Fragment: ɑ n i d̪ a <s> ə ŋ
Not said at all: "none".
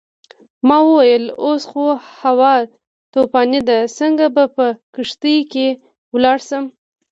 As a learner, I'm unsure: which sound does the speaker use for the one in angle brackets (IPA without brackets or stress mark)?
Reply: s